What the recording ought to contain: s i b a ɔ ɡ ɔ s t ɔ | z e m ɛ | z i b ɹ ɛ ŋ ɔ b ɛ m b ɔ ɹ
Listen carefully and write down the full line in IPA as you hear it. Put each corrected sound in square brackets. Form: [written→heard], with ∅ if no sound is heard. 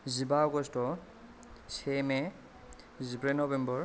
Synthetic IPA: [s→z] i b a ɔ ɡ ɔ s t ɔ | [z→s] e m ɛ | z i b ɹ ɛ [ŋ→n] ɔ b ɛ m b ɔ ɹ